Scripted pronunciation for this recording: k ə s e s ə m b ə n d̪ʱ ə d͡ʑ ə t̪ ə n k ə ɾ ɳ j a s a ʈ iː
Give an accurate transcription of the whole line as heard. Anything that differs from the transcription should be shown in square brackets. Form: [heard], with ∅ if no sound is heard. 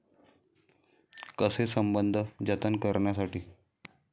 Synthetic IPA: k ə s e s ə m b ə n d̪ʱ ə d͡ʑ ə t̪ ə n k ə ɾ ɳ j a s a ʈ iː